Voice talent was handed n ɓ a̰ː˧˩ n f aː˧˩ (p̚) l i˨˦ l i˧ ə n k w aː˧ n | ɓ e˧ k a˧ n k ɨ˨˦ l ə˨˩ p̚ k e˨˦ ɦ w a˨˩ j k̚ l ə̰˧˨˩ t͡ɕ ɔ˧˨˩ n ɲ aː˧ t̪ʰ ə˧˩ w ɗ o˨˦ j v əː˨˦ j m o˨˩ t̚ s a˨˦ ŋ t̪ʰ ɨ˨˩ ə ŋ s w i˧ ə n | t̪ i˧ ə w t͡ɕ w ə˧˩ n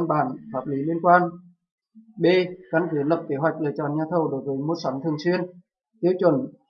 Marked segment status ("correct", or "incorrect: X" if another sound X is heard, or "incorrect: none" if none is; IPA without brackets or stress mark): correct